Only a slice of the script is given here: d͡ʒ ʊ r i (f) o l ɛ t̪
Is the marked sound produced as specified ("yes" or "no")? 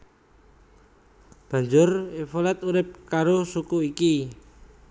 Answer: yes